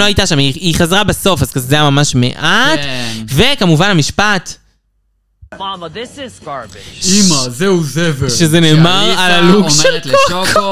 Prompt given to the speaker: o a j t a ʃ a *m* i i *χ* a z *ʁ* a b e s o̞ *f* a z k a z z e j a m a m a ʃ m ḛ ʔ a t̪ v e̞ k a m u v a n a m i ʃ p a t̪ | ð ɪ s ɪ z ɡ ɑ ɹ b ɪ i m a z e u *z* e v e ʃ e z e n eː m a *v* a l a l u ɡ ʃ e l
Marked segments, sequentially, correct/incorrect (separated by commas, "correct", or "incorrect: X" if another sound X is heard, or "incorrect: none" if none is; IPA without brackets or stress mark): correct, correct, correct, correct, correct, incorrect: ʁ